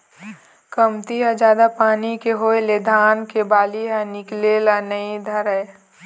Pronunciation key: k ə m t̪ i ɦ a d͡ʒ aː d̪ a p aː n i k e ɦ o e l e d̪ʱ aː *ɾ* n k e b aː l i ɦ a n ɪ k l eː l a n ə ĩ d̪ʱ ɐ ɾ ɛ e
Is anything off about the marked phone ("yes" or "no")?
yes